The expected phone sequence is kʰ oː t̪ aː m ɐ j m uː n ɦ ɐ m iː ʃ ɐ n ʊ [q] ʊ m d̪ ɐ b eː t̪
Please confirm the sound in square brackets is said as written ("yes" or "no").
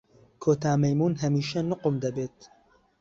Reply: yes